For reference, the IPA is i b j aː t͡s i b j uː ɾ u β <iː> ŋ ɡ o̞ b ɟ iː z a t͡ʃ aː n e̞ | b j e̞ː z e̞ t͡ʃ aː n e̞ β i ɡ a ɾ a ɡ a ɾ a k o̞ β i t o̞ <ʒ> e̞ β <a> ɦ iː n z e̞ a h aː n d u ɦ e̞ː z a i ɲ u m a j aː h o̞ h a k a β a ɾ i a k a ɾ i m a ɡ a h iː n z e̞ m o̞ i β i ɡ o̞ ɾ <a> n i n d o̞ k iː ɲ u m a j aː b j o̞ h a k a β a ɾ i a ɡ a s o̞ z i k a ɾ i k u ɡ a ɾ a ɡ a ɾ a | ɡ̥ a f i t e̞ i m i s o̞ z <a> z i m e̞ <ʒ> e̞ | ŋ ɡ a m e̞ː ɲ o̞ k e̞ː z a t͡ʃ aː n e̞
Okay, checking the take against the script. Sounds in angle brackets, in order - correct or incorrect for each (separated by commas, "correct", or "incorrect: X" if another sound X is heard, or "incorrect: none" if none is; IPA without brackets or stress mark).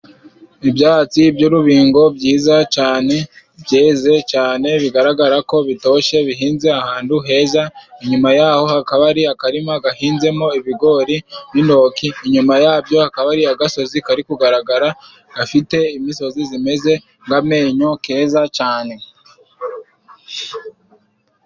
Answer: correct, incorrect: ʃ, incorrect: i, incorrect: i, incorrect: i, incorrect: z